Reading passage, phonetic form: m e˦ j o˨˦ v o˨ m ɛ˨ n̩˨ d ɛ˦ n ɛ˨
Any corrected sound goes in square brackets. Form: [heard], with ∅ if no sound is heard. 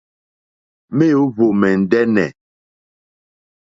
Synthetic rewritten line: m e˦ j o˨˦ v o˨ m ɛ˨ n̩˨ d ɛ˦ n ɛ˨